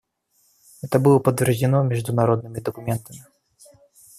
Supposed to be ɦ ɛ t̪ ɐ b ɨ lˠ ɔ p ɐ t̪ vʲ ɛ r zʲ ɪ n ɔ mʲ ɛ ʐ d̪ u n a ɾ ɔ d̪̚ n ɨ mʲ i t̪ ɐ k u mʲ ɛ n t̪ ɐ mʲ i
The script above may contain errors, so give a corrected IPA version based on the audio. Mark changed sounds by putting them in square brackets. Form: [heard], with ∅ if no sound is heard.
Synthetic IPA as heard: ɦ ɛ t̪ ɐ b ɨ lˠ ɔ p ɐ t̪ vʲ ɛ r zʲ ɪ n ɔ mʲ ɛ ʐ d̪ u n a ɾ ɔ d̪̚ n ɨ mʲ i [d̪] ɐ k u mʲ ɛ n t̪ ɐ mʲ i